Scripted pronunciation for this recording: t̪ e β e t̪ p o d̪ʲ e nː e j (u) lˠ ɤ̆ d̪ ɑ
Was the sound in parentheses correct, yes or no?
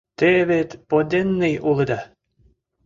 yes